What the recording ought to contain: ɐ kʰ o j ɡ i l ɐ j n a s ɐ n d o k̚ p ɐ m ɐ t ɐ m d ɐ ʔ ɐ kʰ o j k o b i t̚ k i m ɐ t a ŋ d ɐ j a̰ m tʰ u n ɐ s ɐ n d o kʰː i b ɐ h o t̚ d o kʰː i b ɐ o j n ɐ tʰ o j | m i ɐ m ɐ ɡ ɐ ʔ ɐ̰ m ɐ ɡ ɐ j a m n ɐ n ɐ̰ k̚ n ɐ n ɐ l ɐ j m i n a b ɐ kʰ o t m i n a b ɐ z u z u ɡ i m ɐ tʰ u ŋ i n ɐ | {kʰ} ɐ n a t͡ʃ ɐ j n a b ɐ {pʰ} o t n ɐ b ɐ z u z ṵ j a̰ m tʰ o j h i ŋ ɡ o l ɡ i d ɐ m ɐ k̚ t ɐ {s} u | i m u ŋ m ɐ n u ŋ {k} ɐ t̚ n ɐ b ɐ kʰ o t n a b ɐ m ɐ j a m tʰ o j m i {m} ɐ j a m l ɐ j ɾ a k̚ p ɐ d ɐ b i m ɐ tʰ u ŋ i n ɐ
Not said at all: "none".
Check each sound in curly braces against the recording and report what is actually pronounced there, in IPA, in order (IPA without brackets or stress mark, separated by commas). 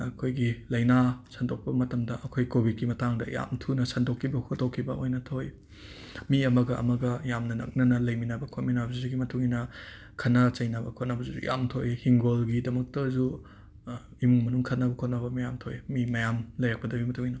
kʰ, kʰ, z, kʰ, m